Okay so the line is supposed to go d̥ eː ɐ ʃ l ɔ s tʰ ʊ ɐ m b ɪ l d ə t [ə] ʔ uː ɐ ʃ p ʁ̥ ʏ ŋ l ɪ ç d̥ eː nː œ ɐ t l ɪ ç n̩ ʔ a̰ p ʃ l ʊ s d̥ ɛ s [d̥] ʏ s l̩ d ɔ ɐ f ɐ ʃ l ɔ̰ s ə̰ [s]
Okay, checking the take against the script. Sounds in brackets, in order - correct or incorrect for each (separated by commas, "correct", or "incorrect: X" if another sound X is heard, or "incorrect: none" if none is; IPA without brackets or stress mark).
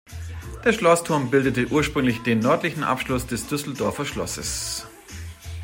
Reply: correct, correct, correct